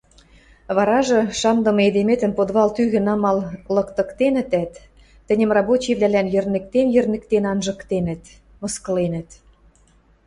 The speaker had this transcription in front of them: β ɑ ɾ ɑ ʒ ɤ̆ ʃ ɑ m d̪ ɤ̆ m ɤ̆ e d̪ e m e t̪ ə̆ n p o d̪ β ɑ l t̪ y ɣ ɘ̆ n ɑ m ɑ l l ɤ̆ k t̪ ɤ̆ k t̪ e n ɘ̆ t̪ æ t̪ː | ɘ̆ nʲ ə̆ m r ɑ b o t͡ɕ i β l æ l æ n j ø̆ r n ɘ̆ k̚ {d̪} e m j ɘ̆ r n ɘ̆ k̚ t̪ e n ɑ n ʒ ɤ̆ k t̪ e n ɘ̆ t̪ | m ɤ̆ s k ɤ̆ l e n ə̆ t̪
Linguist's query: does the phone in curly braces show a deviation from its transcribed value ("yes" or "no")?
yes